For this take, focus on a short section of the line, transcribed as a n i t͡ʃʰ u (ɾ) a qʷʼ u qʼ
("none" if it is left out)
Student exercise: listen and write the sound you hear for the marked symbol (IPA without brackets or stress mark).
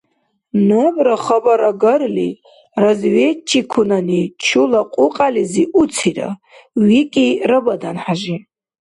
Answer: l